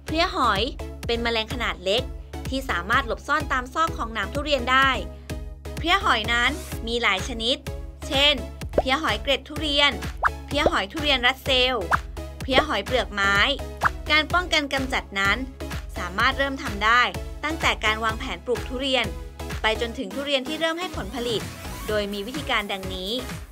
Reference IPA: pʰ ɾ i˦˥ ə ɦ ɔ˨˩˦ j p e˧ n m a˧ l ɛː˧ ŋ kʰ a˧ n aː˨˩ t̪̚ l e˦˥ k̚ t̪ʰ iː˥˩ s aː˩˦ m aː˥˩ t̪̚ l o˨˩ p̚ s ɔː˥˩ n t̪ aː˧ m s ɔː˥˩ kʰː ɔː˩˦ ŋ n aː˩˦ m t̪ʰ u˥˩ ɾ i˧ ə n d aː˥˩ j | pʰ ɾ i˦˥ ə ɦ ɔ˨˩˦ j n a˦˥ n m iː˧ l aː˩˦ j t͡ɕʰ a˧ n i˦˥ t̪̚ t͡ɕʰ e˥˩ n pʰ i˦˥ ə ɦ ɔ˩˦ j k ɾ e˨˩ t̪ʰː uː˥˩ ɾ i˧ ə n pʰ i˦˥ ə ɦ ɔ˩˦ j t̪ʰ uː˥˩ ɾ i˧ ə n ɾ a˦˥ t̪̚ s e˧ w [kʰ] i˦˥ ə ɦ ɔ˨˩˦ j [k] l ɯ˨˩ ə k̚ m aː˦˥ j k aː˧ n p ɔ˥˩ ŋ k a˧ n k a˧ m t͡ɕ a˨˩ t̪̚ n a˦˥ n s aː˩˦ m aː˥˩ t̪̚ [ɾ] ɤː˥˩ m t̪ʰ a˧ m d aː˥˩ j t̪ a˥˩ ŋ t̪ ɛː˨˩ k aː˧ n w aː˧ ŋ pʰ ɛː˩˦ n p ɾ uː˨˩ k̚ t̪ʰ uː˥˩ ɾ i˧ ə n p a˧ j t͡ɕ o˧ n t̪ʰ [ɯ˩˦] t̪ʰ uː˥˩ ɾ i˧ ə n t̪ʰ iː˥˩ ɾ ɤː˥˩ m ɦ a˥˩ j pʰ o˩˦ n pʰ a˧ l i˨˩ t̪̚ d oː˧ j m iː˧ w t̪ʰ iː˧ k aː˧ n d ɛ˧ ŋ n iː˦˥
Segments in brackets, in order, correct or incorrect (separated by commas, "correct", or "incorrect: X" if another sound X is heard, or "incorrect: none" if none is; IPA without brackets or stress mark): incorrect: pʰ, incorrect: p, correct, correct